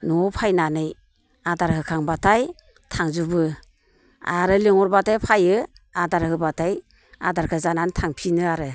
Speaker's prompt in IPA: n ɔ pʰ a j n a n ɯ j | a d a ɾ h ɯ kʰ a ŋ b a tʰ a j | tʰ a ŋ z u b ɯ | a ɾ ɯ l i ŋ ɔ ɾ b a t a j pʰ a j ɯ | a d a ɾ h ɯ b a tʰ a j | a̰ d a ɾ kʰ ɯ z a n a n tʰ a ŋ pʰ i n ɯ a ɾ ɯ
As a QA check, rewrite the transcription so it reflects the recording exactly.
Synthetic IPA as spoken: n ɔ pʰ a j n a n ɯ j | a d a ɾ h ɯ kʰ a ŋ b a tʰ a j | tʰ a ŋ z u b ɯ | a ɾ ɯ l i ŋ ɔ ɾ b a t a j pʰ a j ɯ | a d a ɾ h ɯ b a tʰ a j | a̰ d a ɾ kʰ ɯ z a n a n tʰ a ŋ pʰ i n ɯ a ɾ ɯ